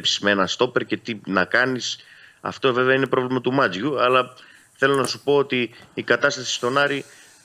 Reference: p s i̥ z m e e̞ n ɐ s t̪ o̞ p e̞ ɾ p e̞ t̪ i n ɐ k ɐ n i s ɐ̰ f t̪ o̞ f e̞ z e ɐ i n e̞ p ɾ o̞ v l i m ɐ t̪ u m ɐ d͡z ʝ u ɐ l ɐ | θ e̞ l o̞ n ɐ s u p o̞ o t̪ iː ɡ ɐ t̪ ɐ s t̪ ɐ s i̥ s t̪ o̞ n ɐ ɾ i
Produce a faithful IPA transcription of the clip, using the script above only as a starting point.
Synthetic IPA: p s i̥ z m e e̞ n ɐ s t̪ o̞ p e̞ ɾ c e̞ t̪ i n ɐ k ɐ n i s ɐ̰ f t̪ o̞ v e̞ v e ɐ i n e̞ p ɾ o̞ v l i m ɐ t̪ u m ɐ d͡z ʝ u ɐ l ɐ | θ e̞ l o̞ n ɐ s u p o̞ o t̪ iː k ɐ t̪ ɐ s t̪ ɐ s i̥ s t̪ o̞ n ɐ ɾ i